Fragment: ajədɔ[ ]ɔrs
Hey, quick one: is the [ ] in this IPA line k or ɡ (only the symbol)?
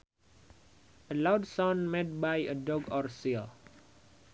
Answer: ɡ